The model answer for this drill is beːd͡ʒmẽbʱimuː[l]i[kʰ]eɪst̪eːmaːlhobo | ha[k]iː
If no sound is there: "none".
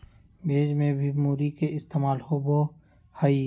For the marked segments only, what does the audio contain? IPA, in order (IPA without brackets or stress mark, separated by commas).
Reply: ɾ, k, none